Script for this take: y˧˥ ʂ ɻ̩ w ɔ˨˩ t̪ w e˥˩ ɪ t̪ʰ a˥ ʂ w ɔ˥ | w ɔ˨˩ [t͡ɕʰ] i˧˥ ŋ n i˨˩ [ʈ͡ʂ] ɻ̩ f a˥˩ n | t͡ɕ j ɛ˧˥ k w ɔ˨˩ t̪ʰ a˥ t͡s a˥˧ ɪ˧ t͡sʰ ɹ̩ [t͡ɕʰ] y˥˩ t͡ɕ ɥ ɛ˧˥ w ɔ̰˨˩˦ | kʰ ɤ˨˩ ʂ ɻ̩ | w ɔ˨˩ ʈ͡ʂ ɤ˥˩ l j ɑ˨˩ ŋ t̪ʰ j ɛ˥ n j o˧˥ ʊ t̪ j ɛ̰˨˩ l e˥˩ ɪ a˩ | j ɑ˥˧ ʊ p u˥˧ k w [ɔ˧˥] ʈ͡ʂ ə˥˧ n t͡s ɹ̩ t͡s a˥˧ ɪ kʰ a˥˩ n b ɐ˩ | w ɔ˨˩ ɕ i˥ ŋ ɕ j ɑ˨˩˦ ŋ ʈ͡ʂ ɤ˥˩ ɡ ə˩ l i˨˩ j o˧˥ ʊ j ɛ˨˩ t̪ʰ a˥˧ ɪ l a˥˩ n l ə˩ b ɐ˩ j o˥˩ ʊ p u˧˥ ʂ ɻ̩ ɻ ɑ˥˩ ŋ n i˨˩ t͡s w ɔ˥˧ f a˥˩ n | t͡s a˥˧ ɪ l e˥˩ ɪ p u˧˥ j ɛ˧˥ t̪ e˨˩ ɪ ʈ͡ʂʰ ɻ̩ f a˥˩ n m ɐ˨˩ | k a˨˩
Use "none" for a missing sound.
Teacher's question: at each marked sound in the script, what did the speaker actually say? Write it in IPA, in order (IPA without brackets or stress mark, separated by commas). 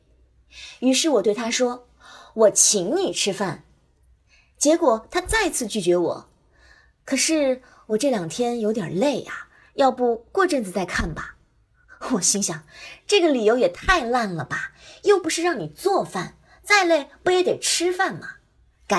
t͡ɕʰ, ʈ͡ʂʰ, t͡ɕ, ɔ˥˧